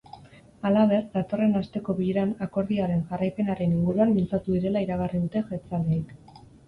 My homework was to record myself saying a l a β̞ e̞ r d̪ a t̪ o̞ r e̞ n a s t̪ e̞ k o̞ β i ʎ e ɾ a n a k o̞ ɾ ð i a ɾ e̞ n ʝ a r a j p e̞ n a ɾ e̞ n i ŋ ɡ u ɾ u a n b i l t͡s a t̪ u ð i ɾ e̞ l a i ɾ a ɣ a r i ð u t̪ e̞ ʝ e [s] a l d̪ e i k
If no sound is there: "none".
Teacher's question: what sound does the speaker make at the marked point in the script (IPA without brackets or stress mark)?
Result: t͡s